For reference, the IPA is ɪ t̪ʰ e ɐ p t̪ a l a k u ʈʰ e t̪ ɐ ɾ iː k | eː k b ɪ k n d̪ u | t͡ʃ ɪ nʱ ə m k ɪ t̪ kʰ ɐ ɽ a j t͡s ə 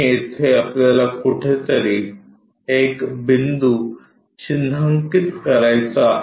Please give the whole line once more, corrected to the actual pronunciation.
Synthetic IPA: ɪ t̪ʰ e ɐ p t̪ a l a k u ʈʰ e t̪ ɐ ɾ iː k | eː k b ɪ n d̪ u | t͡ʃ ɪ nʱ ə ŋ k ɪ t̪ k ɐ ɾ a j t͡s a